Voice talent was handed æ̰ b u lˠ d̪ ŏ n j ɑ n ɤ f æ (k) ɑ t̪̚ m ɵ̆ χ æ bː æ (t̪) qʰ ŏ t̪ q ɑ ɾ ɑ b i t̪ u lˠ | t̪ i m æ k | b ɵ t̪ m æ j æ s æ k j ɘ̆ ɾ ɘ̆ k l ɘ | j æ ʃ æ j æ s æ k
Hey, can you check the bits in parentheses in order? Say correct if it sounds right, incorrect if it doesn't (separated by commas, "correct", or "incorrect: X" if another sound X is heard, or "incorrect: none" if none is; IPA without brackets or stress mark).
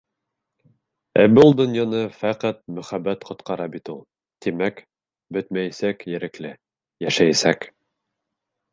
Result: incorrect: q, correct